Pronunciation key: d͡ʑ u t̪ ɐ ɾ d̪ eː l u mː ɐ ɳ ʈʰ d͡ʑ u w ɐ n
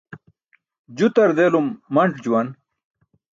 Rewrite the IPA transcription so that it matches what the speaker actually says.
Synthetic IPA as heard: d͡ʑ u t̪ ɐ ɾ d̪ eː l u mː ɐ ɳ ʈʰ d͡ʑ u w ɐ n